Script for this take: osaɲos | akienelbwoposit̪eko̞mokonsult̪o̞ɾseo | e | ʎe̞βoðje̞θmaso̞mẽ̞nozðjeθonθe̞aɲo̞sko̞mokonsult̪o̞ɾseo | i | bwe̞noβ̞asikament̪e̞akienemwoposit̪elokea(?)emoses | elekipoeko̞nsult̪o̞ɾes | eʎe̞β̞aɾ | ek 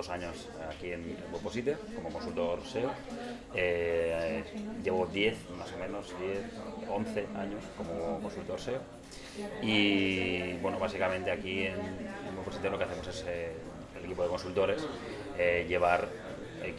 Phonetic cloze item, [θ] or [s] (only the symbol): θ